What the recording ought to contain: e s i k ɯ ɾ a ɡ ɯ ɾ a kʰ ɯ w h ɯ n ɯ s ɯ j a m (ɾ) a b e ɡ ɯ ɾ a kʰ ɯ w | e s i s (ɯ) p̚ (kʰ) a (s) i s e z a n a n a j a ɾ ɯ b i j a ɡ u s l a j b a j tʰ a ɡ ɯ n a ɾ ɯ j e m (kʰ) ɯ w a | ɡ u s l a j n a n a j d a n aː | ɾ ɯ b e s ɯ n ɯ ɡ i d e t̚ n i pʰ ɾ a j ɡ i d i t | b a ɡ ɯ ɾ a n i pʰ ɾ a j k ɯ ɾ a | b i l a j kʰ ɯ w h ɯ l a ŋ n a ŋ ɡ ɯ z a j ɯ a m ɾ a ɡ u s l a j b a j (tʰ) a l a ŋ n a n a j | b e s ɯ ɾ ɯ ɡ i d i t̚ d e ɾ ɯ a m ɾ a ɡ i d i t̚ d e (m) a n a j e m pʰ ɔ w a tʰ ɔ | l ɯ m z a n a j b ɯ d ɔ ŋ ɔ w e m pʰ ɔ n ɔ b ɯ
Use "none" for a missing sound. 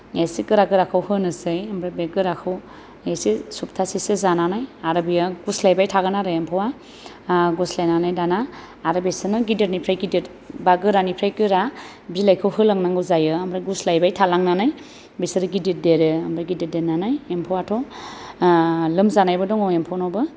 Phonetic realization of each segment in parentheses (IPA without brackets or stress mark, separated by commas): ɾ, u, tʰ, s, pʰ, tʰ, n